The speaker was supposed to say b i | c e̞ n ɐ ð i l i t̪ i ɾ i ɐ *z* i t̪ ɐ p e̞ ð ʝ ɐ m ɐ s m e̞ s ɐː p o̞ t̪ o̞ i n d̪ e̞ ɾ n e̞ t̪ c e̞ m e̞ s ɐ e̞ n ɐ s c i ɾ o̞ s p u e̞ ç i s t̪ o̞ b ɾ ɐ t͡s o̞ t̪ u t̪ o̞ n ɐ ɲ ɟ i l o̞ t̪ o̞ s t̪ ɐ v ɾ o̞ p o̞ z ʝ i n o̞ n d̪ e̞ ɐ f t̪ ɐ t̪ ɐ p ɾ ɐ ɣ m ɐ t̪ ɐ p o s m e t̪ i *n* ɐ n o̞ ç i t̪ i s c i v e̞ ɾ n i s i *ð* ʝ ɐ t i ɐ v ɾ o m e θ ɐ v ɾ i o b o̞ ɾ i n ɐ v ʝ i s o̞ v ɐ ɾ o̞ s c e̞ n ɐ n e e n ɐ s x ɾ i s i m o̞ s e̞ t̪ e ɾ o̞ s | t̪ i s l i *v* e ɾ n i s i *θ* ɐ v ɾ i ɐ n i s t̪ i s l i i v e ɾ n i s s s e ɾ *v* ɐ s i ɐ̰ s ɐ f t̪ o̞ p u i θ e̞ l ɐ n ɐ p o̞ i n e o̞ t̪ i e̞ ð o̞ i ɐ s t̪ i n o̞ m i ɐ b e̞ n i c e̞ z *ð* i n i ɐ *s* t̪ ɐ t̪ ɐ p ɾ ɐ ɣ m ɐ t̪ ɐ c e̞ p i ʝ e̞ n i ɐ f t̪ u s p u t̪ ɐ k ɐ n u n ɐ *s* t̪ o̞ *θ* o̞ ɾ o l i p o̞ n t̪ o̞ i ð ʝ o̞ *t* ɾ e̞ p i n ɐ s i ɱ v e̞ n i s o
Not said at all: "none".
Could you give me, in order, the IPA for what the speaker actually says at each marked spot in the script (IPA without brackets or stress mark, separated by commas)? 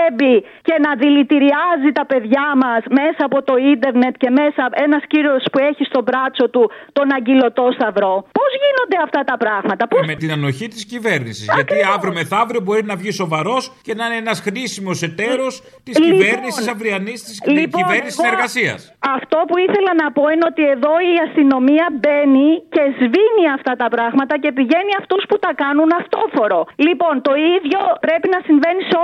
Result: z, n, z, v, s, ɣ, v, f, f, f, p